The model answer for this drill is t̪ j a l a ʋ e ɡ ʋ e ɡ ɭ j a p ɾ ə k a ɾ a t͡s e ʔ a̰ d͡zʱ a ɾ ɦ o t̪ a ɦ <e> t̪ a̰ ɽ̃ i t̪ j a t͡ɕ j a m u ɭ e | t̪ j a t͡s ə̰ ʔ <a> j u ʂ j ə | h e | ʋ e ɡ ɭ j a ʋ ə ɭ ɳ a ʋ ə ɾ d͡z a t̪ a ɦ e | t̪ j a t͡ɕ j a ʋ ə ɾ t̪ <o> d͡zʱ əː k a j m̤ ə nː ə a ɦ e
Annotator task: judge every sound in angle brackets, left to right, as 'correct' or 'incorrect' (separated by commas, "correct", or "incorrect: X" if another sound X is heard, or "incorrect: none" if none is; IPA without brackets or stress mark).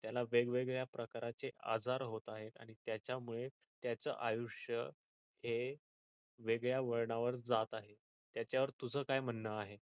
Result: correct, correct, incorrect: u